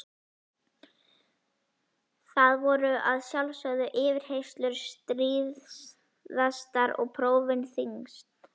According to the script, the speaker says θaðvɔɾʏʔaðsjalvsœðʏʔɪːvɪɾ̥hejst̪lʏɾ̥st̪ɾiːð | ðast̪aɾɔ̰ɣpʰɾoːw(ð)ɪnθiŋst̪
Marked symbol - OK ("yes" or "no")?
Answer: no